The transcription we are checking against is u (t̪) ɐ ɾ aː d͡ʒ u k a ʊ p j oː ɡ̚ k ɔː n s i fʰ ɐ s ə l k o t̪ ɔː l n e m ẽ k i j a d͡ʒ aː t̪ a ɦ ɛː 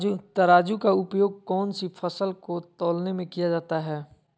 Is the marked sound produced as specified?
yes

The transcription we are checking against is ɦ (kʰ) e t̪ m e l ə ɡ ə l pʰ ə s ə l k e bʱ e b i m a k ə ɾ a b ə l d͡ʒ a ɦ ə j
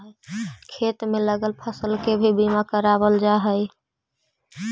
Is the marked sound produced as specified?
yes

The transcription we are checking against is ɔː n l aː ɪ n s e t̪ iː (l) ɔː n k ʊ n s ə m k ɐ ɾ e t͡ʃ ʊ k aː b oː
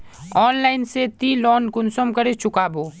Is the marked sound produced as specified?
yes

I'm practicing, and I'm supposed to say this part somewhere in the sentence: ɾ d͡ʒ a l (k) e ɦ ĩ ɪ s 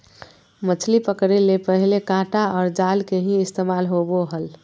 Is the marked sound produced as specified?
yes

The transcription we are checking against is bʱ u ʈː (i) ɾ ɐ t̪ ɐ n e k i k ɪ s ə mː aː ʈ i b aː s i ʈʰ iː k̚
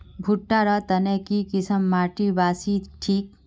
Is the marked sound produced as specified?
no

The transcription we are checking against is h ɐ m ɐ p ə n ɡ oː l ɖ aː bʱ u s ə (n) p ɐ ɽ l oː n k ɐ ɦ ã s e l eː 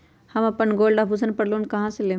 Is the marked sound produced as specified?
yes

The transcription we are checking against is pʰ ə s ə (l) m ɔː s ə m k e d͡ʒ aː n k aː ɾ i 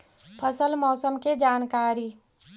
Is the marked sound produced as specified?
yes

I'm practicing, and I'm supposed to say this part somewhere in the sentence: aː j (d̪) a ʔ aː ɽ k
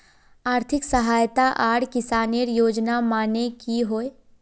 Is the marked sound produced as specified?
no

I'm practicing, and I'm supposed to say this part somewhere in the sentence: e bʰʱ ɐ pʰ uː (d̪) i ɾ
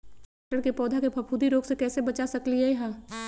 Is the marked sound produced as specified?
yes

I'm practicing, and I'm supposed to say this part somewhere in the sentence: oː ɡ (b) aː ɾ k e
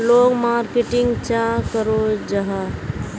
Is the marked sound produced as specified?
no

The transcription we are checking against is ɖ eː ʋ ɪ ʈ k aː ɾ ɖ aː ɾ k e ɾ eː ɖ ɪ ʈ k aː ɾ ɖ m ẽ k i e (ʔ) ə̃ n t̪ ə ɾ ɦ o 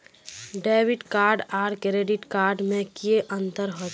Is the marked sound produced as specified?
yes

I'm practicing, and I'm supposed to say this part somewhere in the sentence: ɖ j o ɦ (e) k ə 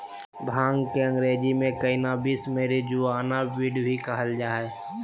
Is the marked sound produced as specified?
no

